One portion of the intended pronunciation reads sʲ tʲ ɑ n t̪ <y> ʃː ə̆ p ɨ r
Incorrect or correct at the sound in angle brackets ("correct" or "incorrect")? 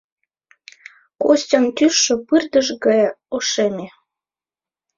correct